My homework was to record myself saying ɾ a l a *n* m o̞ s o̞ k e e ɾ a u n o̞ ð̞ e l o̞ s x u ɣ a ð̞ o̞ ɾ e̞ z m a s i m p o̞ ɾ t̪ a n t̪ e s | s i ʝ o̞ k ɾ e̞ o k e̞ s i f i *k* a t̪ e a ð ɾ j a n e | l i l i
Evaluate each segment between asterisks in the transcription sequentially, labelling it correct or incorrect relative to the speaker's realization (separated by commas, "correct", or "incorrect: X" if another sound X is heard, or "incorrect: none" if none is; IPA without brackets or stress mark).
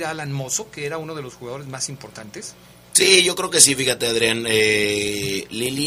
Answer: correct, incorrect: x